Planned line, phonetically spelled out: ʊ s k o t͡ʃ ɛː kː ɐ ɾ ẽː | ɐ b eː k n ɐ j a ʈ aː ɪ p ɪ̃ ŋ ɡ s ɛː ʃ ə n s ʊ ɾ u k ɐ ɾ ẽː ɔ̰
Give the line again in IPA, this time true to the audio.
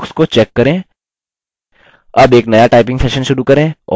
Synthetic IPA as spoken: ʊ s k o t͡ʃ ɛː kː ɐ ɾ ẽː | ɐ b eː k n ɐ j a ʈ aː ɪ p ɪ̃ ŋ ɡ s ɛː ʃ ə n ʃ ʊ ɾ u k ɐ ɾ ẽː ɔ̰

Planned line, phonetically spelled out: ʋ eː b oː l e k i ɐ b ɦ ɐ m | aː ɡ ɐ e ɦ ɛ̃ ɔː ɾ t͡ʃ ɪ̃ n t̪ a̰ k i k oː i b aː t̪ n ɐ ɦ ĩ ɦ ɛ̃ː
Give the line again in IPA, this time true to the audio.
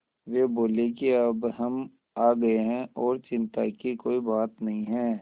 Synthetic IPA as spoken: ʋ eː b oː l e k i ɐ b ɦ ɐ m | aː ɡ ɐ e ɦ ɛ̃ ɔː ɾ t͡ʃ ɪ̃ n t̪ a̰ k i k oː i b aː t̪ n ɐ ɦ ĩ ɦ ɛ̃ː

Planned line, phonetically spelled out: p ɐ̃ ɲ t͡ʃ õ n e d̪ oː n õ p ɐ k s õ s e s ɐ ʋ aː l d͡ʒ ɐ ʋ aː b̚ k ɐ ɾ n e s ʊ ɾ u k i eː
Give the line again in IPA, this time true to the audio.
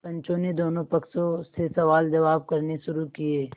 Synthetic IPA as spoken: p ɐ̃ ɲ t͡ʃ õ n e d̪ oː n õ p ɐ k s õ s e s ɐ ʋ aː l d͡ʒ ɐ ʋ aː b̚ k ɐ ɾ n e ʃ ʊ ɾ u k i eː

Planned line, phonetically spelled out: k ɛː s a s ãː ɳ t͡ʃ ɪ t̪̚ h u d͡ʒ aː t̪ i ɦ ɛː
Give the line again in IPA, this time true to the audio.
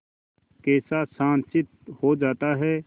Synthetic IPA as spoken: k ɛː s a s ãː n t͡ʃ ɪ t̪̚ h o d͡ʒ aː t̪ a ɦ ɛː

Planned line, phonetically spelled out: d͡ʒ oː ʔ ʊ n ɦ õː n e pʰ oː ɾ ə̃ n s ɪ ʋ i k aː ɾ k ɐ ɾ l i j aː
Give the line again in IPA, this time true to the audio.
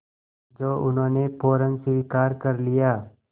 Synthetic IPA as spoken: d͡ʒ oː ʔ ʊ n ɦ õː n e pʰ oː ɾ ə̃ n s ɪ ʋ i k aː ɾ k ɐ ɾ l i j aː

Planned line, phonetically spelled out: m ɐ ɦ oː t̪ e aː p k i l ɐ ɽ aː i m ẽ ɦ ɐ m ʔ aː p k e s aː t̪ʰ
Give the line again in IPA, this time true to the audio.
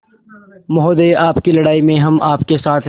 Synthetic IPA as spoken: m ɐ ɦ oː d̪ e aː p k i l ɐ ɽ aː i m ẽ ɦ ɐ m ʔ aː p k e s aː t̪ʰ

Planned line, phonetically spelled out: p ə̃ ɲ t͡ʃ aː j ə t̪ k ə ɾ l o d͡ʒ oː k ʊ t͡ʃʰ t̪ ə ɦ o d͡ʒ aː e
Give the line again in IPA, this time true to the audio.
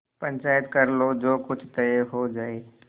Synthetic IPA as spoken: p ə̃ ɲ t͡ʃ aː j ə t̪ k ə ɾ l o d͡ʒ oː k ʊ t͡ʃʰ t̪ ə ɦ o d͡ʒ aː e

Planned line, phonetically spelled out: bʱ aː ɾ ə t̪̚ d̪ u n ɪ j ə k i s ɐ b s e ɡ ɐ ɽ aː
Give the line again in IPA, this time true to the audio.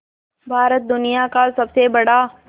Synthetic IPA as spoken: bʱ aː ɾ ə t̪̚ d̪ ʊ n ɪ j a k a s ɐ b s e b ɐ ɽ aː

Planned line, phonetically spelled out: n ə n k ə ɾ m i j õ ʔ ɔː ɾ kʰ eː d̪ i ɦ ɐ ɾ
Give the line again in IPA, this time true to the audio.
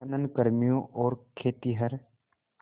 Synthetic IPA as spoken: n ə n k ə ɾ m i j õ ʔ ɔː ɾ kʰ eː t̪ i ɦ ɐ ɾ

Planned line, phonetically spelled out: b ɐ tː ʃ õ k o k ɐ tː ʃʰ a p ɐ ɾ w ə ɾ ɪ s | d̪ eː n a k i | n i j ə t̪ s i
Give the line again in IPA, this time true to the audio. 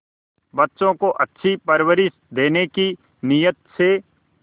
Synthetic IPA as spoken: b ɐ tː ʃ õ k o ʔ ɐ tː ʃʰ i p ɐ ɾ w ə ɾ ɪ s | d̪ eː n e k i | n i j ə t̪ s e

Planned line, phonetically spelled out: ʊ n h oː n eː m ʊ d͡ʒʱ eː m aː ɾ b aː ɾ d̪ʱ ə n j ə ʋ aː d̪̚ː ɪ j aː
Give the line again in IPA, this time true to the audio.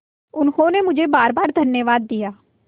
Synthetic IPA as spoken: ʊ n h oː n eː m ʊ d͡ʒʱ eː b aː ɾ b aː ɾ d̪ʱ ə n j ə ʋ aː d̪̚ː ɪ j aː

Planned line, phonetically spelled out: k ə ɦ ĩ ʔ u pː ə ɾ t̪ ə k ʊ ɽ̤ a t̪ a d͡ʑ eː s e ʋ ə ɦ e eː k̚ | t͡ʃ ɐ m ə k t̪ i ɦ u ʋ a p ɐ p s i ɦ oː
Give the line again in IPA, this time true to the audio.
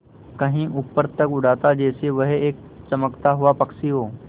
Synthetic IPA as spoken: k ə ɦ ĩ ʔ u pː ə ɾ t̪ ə k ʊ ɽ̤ a t̪ a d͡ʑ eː s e ʋ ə ɦ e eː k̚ | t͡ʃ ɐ m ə k t̪ a ɦ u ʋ a p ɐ k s i ɦ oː

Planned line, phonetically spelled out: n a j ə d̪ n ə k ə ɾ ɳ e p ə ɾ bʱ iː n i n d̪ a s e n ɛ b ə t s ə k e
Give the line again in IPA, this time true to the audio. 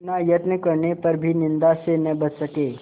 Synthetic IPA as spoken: n a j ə t̪ n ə k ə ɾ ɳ e p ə ɾ bʱ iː n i n d̪ a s e n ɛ b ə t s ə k e

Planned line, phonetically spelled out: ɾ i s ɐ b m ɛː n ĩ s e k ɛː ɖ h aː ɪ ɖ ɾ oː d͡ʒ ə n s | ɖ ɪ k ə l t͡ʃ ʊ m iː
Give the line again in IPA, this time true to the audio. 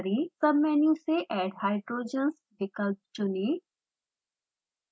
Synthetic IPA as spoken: ɾ i s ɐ b m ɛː n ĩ s e ʔ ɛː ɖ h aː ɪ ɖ ɾ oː d͡ʒ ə n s | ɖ ɪ k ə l t͡ʃ ʊ n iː

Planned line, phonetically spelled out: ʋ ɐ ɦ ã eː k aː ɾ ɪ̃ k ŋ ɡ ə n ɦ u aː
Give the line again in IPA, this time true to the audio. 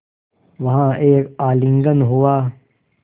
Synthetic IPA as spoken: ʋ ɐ ɦ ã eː k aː l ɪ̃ ŋ ɡ ə n ɦ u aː

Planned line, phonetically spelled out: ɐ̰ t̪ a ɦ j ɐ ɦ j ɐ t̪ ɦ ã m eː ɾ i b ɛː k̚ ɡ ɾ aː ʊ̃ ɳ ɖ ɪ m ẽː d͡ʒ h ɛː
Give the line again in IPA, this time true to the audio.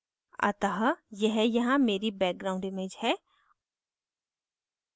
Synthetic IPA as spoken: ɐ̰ t̪ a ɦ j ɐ ɦ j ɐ ɦ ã m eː ɾ i b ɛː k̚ ɡ ɾ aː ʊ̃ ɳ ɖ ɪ m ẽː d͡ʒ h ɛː

